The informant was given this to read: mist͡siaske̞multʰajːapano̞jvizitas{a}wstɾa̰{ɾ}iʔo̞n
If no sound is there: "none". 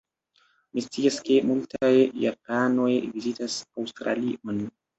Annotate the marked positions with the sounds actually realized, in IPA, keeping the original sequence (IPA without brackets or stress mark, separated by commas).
a, l